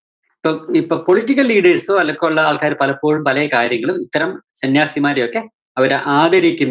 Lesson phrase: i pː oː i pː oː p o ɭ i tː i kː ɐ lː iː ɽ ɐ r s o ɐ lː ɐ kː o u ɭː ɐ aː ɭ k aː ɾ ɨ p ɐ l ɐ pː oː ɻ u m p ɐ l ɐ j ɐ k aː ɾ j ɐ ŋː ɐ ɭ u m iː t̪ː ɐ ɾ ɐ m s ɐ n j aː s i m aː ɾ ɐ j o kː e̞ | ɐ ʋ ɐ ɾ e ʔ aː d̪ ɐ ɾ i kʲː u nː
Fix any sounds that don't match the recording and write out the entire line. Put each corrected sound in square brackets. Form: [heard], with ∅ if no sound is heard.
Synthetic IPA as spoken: i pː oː i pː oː p o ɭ i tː i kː ɐ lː iː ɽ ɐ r s o ɐ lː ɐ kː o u ɭː ɐ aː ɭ k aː ɾ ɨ p ɐ l ɐ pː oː ɻ u m p ɐ l ɐ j ɐ k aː ɾ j ɐ ŋː ɐ ɭ u m [i] t̪ː ɐ ɾ ɐ m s ɐ n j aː s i m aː ɾ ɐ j o kː e̞ | ɐ ʋ ɐ ɾ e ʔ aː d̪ ɐ ɾ i kʲː u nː